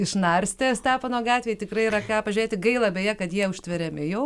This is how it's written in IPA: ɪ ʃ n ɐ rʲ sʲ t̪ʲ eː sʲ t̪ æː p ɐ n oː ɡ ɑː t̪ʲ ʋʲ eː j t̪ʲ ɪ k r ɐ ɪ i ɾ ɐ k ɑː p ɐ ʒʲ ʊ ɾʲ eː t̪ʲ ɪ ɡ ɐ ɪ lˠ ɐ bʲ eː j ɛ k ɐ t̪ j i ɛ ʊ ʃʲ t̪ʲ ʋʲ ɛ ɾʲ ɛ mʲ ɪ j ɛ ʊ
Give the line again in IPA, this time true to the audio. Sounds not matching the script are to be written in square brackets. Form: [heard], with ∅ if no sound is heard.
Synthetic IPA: ɪ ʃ n ɐ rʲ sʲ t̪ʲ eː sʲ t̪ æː p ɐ n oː ɡ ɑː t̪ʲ ʋʲ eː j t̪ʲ ɪ k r ɐ ɪ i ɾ ɐ k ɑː p ɐ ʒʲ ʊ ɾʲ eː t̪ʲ ɪ ɡ ɐ ɪ lˠ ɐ bʲ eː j ɛ k ɐ t̪ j i ɛ ʊ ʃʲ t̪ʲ ʋʲ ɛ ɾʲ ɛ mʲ ɪ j ɛ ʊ